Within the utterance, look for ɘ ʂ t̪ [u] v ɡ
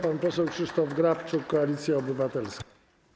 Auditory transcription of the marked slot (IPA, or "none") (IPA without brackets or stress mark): ɔ